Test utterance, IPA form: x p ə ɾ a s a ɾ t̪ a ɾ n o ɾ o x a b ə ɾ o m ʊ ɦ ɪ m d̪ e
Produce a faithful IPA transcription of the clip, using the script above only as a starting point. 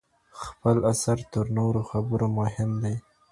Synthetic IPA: x p ə l a s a ɾ t̪ ə ɾ n o ɾ o x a b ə ɾ o m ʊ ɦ ɪ m d̪ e